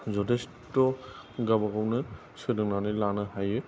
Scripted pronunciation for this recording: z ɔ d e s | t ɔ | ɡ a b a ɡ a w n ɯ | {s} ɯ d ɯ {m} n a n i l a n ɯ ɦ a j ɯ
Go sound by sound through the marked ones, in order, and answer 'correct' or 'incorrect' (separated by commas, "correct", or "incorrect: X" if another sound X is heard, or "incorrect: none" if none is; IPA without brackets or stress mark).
correct, incorrect: ŋ